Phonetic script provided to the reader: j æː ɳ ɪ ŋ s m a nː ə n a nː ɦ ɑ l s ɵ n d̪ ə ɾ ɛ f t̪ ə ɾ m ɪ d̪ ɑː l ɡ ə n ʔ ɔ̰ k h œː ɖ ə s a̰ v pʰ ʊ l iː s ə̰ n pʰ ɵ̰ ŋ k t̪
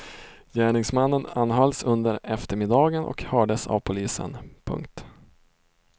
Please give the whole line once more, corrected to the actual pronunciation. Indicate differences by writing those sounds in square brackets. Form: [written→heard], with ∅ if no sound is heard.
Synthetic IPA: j æː ɳ ɪ ŋ s m a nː ə n a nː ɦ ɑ l s ɵ n d̪ ə ɾ ɛ f t̪ ə ɾ m ɪ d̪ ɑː [l→∅] ɡ ə n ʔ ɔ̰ k h œː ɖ ə s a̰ v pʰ ʊ l iː s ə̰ n pʰ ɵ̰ ŋ k t̪